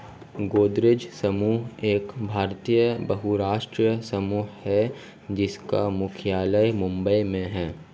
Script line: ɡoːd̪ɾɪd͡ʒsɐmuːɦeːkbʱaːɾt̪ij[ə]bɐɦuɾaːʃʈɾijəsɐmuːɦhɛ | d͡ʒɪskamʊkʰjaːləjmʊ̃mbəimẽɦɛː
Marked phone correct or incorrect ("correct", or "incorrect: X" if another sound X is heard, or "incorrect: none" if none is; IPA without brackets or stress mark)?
correct